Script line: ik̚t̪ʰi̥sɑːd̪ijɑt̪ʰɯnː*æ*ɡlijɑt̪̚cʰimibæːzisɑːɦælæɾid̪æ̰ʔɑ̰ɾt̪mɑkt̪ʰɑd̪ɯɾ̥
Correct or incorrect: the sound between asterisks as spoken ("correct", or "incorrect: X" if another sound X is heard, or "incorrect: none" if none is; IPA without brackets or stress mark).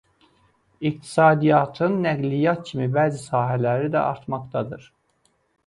correct